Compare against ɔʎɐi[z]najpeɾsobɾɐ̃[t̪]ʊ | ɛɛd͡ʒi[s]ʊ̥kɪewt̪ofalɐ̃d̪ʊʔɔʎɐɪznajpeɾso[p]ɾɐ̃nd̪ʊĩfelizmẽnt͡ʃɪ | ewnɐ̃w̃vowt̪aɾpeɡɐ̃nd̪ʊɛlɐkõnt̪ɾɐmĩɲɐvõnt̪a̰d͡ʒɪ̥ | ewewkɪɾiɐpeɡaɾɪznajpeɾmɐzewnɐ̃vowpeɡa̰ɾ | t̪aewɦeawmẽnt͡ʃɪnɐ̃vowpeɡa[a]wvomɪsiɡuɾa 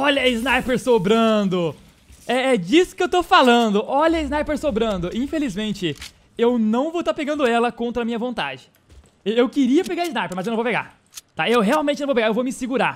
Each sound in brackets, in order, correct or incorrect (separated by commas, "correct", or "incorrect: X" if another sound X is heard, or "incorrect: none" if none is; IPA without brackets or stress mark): correct, incorrect: d̪, correct, incorrect: b, incorrect: e